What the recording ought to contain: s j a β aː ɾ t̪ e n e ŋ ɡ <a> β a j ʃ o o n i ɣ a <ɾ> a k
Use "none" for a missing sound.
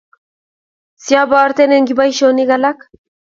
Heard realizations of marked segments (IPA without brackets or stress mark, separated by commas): i, l